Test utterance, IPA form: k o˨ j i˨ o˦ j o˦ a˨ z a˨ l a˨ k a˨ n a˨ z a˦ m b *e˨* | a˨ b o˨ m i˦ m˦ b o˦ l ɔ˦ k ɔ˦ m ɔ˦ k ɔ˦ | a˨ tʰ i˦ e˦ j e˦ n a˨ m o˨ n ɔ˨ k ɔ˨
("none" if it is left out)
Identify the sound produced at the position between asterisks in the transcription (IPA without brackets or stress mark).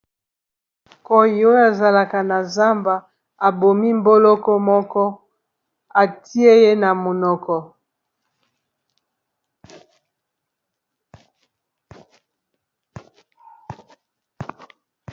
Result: a˨